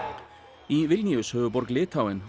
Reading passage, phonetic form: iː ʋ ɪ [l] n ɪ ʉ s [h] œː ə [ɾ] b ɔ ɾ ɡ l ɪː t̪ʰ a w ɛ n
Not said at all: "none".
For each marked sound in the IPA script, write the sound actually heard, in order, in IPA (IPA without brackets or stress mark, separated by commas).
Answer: l, h, none